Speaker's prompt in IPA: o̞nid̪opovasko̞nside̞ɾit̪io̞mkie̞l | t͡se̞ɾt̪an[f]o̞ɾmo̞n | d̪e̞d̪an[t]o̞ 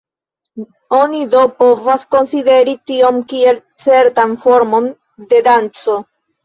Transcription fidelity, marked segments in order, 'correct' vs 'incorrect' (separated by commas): correct, incorrect